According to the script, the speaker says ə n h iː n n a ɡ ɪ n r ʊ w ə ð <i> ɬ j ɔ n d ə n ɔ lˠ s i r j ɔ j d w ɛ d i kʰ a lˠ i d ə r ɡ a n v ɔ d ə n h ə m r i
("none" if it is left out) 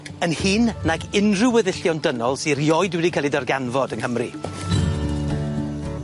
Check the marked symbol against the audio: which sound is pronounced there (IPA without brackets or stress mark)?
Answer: ɪ